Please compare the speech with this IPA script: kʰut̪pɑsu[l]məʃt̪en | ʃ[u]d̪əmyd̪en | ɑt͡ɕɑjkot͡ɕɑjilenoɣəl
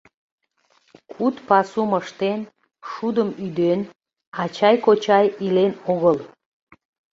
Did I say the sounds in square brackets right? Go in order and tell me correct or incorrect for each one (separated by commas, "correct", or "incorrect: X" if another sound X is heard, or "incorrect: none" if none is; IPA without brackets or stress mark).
incorrect: none, correct